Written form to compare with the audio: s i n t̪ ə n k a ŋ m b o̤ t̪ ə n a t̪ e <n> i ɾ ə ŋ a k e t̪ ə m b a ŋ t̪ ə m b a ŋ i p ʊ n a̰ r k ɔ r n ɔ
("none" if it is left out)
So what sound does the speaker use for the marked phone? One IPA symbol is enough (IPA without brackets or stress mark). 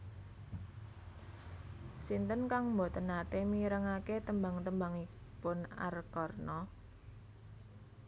m